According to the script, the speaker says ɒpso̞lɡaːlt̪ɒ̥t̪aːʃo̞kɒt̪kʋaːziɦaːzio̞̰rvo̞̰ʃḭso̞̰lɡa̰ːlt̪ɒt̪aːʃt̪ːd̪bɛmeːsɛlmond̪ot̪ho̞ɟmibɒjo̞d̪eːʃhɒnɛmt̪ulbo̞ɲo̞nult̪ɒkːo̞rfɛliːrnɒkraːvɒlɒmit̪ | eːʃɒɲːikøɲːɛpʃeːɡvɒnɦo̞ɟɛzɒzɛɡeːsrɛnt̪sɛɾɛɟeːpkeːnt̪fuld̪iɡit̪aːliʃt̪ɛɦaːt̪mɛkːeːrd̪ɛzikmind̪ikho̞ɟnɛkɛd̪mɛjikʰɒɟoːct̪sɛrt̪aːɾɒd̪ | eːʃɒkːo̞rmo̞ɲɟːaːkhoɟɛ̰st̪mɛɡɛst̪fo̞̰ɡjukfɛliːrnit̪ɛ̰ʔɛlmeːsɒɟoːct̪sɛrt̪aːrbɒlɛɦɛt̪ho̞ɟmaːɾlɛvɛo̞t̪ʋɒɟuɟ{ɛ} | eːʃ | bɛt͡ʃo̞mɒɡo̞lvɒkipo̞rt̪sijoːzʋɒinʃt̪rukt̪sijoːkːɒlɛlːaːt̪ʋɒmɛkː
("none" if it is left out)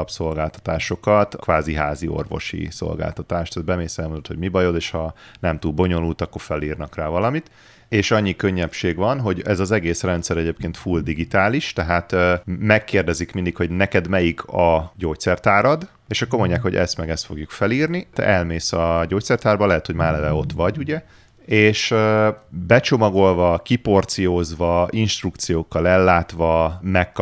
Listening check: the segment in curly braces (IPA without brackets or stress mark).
ɛ